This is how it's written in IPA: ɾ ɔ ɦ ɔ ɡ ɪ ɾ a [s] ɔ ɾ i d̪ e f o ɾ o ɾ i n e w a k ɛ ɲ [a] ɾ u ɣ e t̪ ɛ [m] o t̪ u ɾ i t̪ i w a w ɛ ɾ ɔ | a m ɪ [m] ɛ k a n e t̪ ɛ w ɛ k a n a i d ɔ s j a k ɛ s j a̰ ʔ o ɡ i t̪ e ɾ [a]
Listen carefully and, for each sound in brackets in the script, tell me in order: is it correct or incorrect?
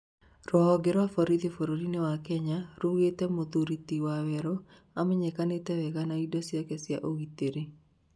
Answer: incorrect, correct, correct, incorrect, incorrect

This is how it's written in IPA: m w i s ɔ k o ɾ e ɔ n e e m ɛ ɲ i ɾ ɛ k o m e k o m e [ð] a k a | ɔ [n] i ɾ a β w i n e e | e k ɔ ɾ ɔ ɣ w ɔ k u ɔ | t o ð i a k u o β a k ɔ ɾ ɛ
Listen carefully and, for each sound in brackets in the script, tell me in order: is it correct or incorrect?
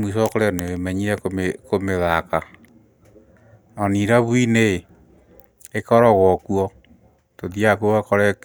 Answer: correct, correct

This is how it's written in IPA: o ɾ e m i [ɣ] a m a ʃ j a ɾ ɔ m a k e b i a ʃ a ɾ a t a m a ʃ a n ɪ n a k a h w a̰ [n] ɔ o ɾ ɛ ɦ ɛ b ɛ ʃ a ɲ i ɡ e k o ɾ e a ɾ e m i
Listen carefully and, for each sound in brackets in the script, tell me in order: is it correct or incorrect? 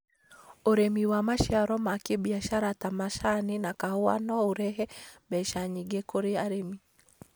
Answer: incorrect, correct

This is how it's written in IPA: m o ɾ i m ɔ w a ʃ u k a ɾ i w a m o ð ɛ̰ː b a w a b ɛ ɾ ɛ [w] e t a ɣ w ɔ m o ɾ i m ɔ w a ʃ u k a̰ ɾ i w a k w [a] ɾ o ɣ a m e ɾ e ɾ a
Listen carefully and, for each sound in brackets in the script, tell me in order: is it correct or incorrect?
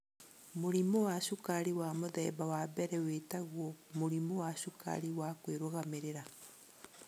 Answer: correct, incorrect

